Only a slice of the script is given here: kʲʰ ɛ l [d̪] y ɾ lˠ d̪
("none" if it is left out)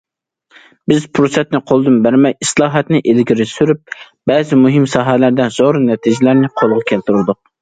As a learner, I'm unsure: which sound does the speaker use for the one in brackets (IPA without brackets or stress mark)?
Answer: t̪